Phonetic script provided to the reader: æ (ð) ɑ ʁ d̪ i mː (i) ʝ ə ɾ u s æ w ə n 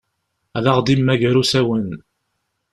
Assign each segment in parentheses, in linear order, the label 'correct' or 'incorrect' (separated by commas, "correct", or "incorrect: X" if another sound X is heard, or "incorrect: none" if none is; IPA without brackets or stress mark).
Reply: correct, incorrect: æ